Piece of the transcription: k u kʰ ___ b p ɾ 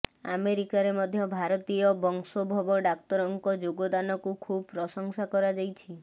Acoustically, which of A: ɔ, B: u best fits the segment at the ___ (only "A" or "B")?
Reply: B